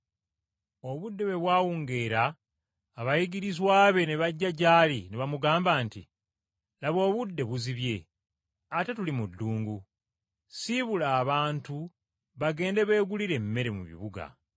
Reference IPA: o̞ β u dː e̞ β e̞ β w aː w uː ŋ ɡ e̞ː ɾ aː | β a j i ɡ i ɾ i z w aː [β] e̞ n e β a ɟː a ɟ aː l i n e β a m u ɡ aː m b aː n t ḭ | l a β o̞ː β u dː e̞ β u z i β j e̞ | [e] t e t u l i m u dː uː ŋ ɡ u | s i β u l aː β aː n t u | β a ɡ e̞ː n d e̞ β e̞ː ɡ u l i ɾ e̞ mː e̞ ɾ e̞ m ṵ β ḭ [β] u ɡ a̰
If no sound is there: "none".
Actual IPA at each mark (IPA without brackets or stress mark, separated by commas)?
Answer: β, a, β